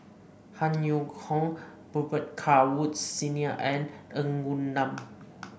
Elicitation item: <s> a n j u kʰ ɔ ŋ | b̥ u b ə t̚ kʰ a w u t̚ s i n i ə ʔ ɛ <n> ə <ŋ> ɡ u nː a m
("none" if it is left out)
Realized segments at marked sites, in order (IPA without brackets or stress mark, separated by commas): h, n, ŋ